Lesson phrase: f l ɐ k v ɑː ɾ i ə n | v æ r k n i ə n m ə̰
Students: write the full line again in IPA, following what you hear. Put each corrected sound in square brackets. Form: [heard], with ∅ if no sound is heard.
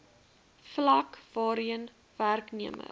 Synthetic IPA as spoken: f l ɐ k v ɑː ɾ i ə n | v æ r k n i ə [∅] m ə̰